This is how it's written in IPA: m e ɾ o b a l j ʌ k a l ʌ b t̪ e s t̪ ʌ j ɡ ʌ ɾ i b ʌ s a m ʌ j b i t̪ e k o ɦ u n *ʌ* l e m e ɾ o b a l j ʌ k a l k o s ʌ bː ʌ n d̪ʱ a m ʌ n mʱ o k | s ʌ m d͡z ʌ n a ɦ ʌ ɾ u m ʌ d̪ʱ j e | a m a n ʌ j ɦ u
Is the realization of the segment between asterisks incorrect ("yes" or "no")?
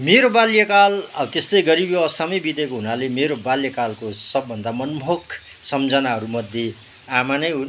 yes